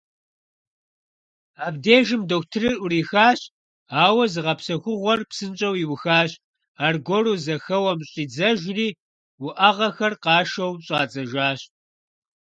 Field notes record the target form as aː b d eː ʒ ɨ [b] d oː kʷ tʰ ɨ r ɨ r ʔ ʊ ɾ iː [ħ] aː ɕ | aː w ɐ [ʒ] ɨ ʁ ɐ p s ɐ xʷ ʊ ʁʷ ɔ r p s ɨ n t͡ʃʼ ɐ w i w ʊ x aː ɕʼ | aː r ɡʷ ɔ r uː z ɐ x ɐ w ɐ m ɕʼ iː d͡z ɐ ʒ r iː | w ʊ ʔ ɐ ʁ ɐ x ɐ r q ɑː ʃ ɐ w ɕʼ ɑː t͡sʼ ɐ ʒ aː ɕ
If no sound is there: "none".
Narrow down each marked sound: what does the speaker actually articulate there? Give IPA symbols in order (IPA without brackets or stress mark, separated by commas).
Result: m, x, z